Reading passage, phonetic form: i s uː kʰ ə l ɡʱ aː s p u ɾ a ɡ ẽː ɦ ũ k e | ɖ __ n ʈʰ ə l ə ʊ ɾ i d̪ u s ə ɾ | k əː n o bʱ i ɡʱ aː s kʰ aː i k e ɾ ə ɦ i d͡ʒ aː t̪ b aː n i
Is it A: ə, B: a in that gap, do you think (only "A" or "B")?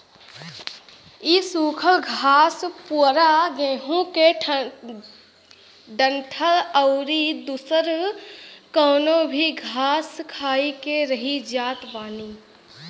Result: A